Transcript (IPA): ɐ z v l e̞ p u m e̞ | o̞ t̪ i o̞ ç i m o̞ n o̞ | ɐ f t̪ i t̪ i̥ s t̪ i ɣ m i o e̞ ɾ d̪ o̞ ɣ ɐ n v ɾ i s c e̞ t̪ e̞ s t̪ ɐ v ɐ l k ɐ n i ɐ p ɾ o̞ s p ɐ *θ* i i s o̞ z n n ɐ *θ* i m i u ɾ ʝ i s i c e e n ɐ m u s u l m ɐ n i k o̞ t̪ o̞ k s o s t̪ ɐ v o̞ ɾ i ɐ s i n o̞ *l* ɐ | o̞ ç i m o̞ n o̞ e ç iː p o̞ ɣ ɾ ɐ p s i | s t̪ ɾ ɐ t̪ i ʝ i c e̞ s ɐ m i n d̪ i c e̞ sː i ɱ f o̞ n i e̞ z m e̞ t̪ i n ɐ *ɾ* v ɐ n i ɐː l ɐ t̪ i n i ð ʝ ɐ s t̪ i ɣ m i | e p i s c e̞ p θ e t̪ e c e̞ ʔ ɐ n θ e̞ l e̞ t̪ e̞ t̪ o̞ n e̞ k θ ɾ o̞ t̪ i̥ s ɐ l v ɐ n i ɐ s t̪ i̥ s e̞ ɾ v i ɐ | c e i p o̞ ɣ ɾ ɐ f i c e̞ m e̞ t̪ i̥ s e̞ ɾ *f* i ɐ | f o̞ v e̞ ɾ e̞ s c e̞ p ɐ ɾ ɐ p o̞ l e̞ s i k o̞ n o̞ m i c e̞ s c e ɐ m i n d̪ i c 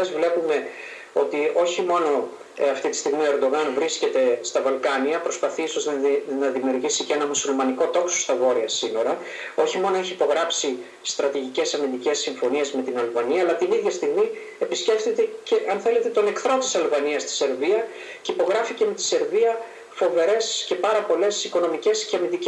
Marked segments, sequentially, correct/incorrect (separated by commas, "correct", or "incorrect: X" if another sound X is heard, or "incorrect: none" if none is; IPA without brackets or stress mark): correct, incorrect: ð, incorrect: ɾ, incorrect: l, incorrect: v